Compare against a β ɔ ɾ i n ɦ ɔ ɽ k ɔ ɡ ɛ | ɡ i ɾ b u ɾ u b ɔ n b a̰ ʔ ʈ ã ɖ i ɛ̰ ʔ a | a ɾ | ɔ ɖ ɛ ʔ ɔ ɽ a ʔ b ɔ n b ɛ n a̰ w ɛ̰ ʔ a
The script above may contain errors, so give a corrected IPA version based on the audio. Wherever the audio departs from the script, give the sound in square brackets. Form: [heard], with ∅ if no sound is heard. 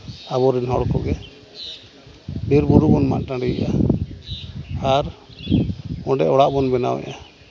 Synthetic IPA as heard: a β ɔ ɾ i n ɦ ɔ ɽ k ɔ ɡ ɛ | [b] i ɾ b u ɾ u b ɔ n [m] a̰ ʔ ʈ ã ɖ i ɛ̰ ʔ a | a ɾ | ɔ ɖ ɛ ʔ ɔ ɽ a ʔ b ɔ n b ɛ n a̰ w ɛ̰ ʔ a